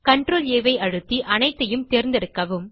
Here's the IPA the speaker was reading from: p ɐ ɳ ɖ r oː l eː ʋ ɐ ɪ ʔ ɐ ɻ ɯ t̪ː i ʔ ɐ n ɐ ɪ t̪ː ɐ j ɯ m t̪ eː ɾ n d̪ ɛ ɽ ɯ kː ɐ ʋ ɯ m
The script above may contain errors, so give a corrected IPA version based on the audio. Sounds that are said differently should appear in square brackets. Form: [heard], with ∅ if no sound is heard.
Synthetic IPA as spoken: [k] ɐ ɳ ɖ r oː l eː ʋ ɐ ɪ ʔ ɐ ɻ ɯ t̪ː i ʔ ɐ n ɐ ɪ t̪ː ɐ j ɯ m t̪ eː ɾ n d̪ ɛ ɽ ɯ kː ɐ ʋ ɯ m